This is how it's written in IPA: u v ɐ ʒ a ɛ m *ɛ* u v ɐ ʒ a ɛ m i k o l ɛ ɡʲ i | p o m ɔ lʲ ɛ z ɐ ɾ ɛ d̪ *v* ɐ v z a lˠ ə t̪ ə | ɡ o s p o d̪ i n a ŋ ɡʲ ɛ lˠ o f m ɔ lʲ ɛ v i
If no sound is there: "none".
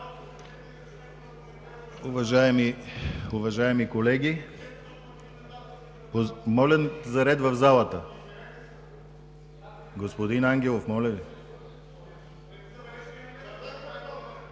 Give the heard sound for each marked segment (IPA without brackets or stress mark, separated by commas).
i, v